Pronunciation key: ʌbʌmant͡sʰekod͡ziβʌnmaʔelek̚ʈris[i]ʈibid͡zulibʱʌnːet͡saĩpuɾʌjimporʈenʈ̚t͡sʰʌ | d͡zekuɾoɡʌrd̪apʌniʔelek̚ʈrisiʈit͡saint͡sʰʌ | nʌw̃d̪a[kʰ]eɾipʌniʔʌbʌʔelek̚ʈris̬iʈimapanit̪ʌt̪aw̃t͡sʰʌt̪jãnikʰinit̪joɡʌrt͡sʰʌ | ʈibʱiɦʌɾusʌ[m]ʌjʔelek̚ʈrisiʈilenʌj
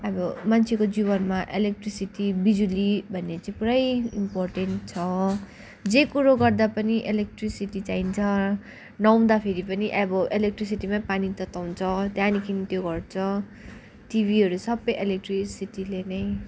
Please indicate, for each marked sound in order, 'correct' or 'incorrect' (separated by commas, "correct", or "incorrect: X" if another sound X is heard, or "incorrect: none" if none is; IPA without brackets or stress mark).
correct, incorrect: pʰ, incorrect: b